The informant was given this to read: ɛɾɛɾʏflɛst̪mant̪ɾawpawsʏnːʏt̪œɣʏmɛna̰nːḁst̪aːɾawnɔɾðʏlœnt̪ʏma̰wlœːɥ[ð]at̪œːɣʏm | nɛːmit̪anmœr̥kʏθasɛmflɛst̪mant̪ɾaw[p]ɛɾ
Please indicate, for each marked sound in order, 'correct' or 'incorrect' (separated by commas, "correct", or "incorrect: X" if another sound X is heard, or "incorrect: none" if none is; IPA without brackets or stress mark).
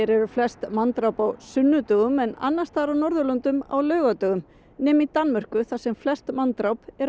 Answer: incorrect: ɣ, correct